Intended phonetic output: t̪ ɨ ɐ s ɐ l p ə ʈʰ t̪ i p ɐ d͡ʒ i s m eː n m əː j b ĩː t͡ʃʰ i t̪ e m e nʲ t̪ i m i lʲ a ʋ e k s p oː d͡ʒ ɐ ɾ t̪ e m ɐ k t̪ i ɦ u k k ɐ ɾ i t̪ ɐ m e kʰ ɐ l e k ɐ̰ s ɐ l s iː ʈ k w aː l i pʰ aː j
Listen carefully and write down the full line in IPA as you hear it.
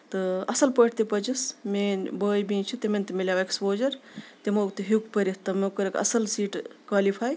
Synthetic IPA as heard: t̪ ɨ ɐ s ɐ l p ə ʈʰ t̪ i p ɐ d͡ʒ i s m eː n b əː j b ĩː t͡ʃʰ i t̪ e m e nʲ t̪ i m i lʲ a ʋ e k s p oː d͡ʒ ɐ ɾ t̪ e m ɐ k t̪ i ɦ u k p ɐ ɾ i t̪ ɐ m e k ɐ ɾ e k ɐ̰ s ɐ l s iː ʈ k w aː l i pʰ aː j